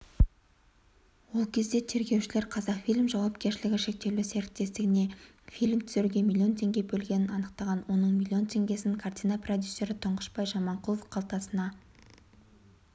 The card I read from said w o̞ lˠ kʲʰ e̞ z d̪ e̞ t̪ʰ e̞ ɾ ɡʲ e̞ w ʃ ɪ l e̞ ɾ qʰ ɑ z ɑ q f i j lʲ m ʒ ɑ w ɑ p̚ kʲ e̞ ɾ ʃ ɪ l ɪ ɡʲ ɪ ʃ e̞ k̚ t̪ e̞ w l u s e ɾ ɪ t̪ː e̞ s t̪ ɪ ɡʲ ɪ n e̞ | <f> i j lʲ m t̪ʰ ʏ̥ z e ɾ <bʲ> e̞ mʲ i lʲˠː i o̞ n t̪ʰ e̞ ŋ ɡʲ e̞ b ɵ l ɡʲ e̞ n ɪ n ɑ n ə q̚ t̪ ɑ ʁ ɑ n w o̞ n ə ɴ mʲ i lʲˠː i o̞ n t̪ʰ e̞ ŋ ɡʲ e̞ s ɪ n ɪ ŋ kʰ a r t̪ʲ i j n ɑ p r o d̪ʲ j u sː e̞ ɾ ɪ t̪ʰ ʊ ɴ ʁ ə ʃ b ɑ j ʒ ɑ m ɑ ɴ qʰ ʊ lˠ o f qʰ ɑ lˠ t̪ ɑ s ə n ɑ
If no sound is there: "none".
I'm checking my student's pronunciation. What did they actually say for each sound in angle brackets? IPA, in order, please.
f, ɡʲ

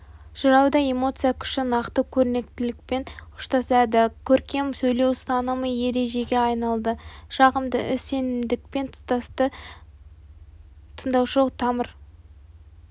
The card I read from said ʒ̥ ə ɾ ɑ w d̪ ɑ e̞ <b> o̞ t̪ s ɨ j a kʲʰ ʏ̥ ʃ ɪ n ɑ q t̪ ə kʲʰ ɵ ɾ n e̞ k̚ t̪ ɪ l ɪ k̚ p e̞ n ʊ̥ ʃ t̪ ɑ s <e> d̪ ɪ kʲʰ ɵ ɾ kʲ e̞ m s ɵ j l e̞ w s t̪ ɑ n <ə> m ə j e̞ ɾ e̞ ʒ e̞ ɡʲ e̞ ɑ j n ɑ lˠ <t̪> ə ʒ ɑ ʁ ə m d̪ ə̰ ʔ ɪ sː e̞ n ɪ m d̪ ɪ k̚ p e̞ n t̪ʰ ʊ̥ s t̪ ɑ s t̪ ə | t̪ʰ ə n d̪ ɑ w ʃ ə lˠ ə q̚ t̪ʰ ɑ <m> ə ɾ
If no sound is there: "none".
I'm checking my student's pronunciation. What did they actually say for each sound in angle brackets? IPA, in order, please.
m, æ, ə, d̪, m

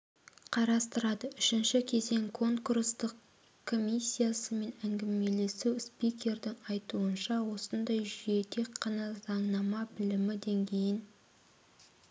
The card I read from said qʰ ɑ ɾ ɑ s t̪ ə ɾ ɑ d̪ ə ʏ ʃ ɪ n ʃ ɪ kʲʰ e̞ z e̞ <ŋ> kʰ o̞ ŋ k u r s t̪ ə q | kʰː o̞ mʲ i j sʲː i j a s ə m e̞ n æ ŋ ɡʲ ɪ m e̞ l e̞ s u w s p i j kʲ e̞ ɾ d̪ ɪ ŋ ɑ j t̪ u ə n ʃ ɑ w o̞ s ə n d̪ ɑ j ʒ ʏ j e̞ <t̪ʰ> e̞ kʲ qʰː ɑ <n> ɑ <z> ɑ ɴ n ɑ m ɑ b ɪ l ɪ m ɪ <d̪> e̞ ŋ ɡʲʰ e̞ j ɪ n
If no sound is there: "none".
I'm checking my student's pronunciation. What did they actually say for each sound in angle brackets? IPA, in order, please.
ŋ, t̪ʰ, n, z, d̪

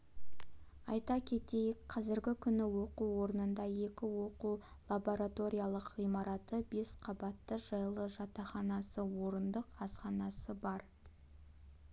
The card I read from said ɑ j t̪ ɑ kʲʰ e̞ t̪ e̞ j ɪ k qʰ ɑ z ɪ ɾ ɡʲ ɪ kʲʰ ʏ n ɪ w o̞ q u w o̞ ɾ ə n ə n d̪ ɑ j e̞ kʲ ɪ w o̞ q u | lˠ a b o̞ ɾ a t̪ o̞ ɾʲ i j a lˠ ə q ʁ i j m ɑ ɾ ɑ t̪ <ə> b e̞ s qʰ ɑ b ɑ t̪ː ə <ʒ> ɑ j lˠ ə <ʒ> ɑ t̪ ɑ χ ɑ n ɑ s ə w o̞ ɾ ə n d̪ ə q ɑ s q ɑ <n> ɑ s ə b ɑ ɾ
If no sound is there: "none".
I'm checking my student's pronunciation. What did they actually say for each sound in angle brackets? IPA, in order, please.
ə, ʒ, ʒ, n

